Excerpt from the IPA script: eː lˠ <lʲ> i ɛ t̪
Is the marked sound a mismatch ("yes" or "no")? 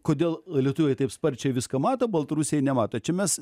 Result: no